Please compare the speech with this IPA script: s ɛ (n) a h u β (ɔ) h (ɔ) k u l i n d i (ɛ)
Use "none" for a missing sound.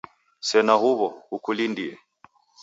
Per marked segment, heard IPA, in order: n, ɔ, u, ɛ

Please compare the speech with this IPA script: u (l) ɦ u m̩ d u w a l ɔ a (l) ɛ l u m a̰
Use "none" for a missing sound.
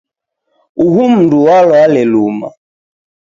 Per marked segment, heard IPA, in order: none, l

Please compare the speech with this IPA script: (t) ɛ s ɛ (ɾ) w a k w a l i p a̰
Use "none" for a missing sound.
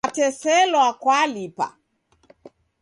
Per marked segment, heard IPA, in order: t, l

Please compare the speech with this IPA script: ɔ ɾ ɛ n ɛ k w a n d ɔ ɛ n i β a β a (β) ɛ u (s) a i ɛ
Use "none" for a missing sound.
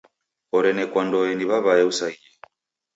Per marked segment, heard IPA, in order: none, s

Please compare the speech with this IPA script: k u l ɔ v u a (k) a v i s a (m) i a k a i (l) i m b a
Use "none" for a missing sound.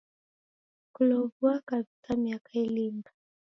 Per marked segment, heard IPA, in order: k, m, l

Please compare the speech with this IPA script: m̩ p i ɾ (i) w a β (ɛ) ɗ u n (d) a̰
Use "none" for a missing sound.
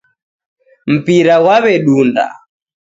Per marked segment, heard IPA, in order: a, ɛ, d

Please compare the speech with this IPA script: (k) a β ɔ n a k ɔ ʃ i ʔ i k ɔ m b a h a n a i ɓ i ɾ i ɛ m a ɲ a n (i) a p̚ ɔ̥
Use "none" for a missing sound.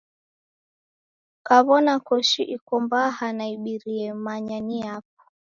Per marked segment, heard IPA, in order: k, i

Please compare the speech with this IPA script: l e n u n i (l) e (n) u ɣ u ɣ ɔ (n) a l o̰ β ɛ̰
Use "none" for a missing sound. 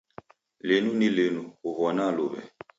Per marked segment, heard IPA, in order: l, n, n

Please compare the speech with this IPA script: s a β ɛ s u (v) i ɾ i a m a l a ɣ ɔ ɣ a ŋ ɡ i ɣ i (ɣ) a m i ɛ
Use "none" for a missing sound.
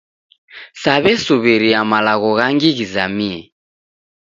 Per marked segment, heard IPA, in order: β, z

